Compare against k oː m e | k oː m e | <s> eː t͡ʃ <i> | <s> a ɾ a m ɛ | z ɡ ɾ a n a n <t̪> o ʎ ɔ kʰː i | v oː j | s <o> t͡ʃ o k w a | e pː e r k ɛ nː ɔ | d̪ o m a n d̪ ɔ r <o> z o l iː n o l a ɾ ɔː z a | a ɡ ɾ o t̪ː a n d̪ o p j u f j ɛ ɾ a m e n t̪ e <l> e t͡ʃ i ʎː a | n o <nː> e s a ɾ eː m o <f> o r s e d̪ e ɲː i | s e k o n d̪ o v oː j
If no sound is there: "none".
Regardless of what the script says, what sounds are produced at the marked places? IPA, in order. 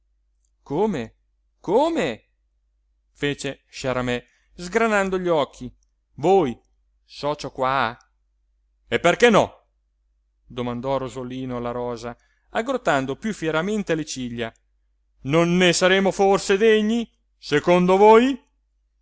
f, e, ʃ, d̪, ɔ, o, l, nː, f

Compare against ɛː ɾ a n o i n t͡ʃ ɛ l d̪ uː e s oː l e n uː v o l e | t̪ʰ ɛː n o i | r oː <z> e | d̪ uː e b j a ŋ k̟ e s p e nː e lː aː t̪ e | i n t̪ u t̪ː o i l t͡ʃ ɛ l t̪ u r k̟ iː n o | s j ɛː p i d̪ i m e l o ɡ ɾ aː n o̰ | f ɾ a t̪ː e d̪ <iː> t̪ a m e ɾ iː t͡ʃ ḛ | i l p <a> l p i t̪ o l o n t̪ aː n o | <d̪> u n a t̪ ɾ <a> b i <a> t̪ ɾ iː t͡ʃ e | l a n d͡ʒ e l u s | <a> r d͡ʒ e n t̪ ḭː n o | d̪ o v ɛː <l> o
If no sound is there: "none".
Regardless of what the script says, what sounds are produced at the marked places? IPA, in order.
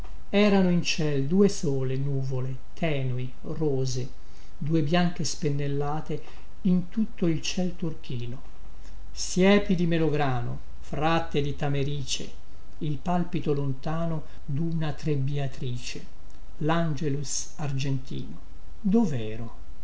z, i, a, d̪, e, a, a, ɾ

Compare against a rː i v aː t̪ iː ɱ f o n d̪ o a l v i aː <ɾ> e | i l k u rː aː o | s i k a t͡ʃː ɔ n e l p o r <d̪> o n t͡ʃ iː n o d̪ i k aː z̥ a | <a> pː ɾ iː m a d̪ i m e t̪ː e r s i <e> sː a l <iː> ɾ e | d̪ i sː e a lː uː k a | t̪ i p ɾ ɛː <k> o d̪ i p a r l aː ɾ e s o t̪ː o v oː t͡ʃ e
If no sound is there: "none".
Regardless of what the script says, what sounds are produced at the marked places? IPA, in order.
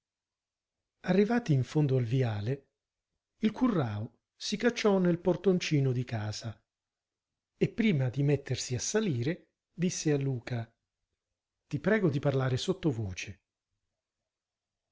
l, t̪, e, a, iː, ɡ

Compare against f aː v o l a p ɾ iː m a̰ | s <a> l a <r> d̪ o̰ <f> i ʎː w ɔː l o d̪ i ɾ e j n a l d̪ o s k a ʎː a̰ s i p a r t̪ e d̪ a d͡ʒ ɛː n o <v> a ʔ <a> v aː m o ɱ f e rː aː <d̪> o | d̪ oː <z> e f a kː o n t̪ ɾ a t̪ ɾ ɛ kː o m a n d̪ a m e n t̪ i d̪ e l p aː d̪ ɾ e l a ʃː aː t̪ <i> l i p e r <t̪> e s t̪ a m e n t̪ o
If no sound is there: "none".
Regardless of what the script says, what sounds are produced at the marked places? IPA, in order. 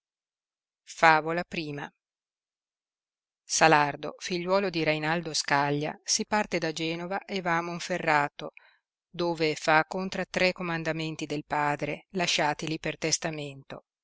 a, r, f, v, e, t̪, v, i, t̪

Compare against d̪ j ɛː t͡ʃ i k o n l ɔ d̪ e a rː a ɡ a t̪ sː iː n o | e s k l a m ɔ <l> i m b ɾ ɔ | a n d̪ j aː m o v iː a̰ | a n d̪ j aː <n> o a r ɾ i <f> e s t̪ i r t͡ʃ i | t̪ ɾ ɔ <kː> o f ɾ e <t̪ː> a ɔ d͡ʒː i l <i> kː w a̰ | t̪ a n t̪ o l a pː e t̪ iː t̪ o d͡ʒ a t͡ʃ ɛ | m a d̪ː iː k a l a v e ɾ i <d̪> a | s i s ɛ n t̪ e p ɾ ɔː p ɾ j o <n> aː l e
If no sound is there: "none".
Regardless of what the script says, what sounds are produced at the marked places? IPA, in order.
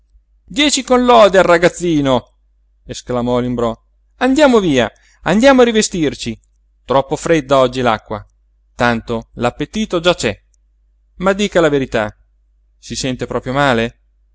l, m, v, pː, d̪ː, a, t̪, m

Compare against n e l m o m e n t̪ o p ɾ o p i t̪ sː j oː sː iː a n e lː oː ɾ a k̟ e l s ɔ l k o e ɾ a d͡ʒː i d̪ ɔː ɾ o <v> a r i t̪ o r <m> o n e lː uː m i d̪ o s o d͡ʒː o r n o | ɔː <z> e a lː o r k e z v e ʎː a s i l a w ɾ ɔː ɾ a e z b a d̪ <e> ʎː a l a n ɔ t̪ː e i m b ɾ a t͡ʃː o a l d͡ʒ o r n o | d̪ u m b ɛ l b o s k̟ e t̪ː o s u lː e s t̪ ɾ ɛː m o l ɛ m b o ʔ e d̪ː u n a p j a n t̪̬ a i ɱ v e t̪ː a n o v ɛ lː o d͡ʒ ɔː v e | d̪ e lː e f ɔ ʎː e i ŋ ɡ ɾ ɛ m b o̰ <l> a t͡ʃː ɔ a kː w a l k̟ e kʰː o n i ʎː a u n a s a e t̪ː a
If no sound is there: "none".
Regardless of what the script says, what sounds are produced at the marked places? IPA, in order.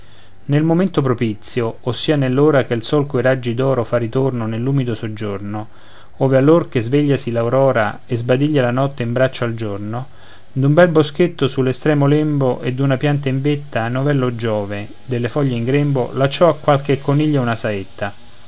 f, n, v, i, l

